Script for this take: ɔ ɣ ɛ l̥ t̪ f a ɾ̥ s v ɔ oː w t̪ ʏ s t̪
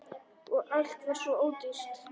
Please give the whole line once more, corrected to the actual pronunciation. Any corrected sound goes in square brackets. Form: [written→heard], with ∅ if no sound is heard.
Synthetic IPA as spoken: ɔ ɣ [ɛ→a] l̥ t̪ [f→v] a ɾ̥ s v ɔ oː w t̪ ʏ s t̪